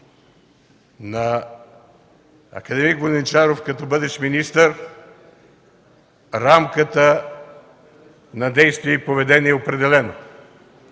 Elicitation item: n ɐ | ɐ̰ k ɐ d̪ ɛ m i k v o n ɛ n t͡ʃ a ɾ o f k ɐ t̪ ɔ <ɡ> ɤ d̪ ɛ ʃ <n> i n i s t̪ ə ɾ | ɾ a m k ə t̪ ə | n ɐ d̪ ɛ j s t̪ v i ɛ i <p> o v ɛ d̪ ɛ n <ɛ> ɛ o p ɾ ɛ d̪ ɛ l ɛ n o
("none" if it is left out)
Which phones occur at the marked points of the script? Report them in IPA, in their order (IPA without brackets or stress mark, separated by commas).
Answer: b, m, p, i